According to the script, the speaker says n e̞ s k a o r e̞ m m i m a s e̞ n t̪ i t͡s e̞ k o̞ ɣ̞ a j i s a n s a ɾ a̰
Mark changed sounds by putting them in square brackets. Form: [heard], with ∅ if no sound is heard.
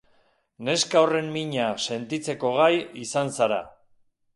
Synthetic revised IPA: n e̞ s k a o r e̞ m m i [ɲ] a s e̞ n t̪ i t͡s e̞ k o̞ ɣ̞ a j i s a n s a ɾ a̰